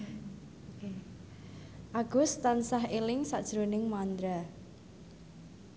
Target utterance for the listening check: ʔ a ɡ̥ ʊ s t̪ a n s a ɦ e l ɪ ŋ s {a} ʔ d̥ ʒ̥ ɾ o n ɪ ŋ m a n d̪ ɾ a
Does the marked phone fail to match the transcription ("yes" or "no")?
no